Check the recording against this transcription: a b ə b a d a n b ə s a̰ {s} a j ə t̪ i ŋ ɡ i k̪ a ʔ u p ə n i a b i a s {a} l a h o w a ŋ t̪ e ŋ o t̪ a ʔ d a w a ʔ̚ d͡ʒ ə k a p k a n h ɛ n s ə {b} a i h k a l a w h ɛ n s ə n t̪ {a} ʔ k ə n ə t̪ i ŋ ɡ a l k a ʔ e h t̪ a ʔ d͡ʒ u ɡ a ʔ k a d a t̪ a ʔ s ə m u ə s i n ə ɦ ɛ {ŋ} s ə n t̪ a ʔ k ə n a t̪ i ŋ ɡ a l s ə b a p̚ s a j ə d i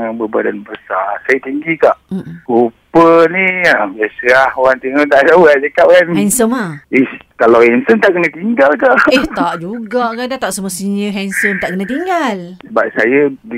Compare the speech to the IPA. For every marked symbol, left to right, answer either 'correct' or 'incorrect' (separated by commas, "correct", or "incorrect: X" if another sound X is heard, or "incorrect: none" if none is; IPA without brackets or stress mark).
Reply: correct, incorrect: ə, incorrect: m, correct, incorrect: n